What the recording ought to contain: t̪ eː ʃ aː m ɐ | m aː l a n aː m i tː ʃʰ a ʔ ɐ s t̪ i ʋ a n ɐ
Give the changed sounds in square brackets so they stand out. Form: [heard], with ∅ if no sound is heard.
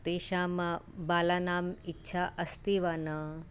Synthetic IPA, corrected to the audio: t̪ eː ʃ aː m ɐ | [b] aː l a n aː m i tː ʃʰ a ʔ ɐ s t̪ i ʋ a n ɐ